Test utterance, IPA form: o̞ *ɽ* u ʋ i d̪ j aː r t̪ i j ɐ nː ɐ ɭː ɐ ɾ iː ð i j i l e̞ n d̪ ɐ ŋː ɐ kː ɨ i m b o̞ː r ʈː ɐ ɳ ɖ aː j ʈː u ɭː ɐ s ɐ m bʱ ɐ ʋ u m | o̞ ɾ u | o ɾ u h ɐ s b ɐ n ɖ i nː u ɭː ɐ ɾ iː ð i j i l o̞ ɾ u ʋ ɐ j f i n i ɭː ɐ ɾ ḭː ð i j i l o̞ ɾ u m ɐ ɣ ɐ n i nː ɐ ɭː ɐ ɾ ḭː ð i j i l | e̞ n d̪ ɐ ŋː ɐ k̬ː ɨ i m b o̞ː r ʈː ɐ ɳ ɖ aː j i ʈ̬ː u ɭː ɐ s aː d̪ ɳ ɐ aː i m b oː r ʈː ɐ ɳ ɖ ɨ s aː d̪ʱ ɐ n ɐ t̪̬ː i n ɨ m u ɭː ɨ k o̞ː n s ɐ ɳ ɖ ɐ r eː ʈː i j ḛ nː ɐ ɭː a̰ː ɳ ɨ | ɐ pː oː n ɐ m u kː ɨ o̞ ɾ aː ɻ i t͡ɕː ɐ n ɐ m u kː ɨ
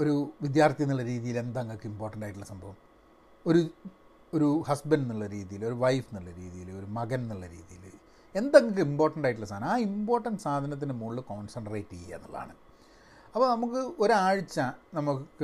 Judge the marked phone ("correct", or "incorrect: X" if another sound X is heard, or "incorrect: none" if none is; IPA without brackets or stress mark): incorrect: ɾ